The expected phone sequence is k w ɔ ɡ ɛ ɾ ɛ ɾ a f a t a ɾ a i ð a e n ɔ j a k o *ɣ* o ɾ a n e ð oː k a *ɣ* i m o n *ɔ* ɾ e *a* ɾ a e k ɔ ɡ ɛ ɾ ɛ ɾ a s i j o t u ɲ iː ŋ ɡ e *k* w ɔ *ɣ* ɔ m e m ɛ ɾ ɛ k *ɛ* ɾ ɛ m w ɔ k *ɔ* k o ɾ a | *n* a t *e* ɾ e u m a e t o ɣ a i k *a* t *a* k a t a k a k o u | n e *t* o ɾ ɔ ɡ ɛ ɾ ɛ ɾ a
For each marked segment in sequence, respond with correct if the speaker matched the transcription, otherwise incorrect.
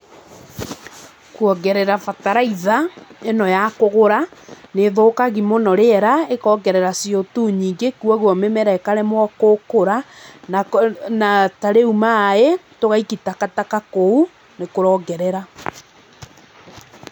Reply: correct, correct, correct, incorrect: ɛ, correct, correct, incorrect: a, incorrect: o, correct, incorrect: a, incorrect: i, correct, incorrect: k

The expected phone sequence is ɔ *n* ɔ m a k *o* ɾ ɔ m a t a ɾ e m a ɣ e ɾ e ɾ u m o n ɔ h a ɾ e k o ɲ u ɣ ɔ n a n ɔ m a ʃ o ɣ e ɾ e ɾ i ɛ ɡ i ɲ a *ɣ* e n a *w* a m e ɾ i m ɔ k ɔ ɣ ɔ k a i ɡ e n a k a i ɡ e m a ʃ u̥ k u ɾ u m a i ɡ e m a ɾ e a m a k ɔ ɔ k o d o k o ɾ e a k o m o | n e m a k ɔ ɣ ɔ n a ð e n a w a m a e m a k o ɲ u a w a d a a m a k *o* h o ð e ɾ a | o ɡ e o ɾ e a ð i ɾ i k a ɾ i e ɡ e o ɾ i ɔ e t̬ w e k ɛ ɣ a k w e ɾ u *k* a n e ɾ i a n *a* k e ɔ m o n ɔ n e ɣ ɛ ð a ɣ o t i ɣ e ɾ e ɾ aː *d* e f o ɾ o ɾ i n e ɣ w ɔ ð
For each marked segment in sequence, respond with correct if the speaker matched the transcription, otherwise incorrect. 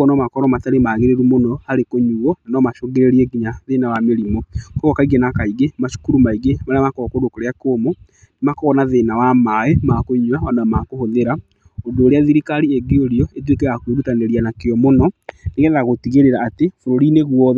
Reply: correct, incorrect: ɔ, incorrect: ð, correct, correct, incorrect: t, correct, incorrect: t

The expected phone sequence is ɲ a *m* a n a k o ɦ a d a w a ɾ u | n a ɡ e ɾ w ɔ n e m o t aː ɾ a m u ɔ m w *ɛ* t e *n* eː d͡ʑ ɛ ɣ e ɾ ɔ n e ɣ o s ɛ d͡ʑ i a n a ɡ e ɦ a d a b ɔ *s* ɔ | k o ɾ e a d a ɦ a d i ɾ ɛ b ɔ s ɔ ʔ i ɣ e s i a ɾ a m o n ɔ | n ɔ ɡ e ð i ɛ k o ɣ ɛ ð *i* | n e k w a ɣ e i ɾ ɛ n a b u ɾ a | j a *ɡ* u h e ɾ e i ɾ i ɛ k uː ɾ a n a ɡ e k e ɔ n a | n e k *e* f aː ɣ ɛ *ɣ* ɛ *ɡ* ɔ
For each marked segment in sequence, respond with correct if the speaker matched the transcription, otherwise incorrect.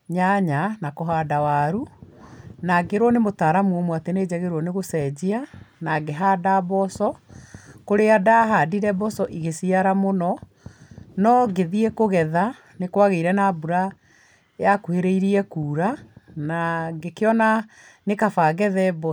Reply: incorrect: ɲ, incorrect: a, correct, correct, incorrect: a, incorrect: k, incorrect: a, incorrect: ð, incorrect: b

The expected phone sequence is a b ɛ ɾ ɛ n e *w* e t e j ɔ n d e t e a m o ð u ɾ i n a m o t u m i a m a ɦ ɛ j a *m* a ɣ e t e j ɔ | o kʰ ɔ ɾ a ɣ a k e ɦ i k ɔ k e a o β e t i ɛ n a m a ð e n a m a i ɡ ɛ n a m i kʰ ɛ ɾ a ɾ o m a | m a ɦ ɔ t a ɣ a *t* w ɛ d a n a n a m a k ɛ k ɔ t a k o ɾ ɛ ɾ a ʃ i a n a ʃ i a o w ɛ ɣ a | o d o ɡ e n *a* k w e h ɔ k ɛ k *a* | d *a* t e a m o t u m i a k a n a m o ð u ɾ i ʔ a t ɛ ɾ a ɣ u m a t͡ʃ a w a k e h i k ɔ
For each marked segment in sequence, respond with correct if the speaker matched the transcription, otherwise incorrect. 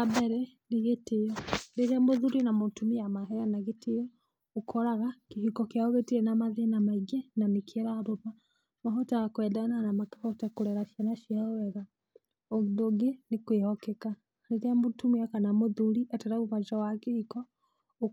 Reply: incorrect: ɣ, incorrect: n, incorrect: k, incorrect: e, correct, incorrect: e

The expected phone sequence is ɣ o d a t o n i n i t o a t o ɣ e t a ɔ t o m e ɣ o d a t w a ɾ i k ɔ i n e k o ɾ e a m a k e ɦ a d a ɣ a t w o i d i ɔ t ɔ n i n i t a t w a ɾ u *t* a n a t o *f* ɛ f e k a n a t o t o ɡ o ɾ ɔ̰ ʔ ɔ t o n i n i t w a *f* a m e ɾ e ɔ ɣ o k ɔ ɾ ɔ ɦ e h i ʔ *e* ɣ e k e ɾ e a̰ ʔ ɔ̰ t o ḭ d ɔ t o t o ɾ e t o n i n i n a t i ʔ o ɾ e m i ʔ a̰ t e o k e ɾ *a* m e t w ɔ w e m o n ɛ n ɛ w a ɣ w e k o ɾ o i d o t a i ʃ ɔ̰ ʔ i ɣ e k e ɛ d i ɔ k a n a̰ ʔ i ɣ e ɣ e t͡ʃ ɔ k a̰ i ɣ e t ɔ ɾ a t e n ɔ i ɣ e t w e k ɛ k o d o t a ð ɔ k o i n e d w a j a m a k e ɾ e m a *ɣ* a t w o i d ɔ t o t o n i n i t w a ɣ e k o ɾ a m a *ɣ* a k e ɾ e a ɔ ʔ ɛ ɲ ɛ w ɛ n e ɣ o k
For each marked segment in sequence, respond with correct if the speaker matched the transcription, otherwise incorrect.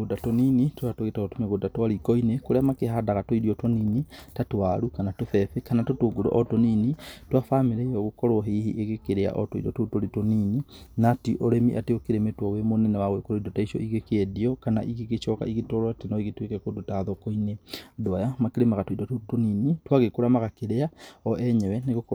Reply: incorrect: k, correct, correct, correct, incorrect: e, correct, correct

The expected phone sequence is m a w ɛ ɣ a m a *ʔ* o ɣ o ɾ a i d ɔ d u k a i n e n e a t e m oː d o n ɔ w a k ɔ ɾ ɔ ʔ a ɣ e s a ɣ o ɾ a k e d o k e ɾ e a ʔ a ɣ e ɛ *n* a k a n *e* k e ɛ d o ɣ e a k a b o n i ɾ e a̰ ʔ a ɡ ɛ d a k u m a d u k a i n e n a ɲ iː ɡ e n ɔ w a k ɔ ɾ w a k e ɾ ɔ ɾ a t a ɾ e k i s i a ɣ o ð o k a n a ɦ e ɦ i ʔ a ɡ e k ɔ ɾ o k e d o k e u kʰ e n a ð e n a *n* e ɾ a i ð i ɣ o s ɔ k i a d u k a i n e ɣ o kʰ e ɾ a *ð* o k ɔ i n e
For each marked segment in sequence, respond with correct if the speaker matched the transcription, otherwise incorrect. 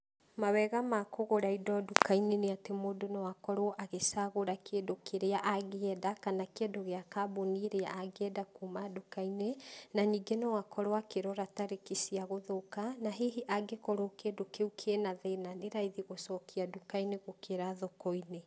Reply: incorrect: k, incorrect: d, incorrect: a, correct, correct

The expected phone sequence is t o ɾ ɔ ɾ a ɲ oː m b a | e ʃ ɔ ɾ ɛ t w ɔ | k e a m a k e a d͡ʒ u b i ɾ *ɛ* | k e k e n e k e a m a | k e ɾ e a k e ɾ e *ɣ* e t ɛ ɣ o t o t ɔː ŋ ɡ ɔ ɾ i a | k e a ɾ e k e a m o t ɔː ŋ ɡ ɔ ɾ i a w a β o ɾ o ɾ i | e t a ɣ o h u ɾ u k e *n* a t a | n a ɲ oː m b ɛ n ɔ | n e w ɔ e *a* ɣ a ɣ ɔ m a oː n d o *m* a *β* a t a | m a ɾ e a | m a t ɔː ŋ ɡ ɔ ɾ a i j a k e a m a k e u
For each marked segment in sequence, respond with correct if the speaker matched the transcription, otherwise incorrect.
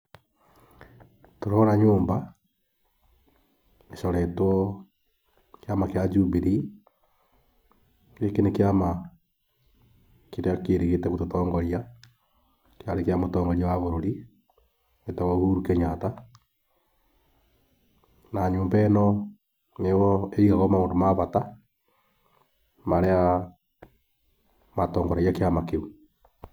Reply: incorrect: i, correct, incorrect: ɲ, incorrect: i, correct, correct

